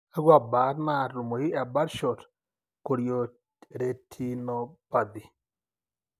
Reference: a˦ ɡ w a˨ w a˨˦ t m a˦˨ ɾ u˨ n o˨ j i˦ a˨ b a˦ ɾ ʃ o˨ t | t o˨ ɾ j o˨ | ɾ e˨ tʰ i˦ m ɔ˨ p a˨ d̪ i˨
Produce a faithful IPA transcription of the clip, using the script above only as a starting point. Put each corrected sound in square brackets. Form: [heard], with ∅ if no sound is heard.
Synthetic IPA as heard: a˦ ɡ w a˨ [b] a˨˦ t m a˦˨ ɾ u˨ [m] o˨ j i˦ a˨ b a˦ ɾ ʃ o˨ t | [k] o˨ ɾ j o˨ | ɾ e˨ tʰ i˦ [n] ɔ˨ p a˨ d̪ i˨